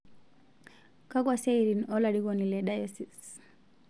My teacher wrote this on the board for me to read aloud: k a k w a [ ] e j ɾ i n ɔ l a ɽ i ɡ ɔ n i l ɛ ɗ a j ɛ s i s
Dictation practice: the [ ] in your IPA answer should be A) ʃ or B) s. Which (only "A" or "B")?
B